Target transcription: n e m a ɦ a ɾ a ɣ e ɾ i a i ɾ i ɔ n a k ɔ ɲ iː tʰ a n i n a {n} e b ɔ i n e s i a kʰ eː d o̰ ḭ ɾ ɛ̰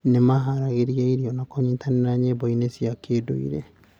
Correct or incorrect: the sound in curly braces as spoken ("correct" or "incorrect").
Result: incorrect